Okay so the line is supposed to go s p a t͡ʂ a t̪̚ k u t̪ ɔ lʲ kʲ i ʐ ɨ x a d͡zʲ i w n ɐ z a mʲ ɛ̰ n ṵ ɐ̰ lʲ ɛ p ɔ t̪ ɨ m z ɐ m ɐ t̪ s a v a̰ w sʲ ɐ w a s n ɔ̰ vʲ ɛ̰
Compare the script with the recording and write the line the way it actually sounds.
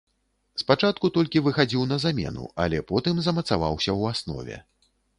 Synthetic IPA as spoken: s p a t͡ʂ a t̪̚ k u t̪ ɔ lʲ kʲ i v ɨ x a d͡zʲ i w n ɐ z a mʲ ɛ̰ n ṵ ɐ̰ lʲ ɛ p ɔ t̪ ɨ m z ɐ m ɐ t̪ s a v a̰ w sʲ ɐ w a s n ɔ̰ vʲ ɛ̰